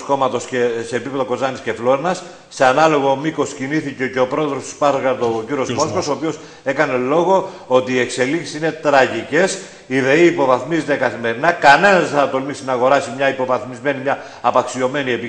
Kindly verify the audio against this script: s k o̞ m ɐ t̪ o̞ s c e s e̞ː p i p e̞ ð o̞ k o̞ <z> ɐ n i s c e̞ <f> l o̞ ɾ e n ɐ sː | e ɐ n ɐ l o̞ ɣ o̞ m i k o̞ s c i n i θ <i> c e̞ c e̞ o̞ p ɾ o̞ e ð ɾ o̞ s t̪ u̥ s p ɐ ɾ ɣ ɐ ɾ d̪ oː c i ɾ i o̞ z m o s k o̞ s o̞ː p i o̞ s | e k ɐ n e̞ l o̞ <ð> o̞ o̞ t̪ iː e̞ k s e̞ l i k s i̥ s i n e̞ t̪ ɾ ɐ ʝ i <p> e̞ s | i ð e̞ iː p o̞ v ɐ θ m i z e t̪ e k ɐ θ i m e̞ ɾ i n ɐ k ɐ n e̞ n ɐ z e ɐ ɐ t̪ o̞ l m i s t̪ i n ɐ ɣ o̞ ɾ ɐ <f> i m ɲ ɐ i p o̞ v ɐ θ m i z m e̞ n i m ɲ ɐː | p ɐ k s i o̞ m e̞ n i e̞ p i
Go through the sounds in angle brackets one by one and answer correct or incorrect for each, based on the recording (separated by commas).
correct, correct, correct, incorrect, incorrect, incorrect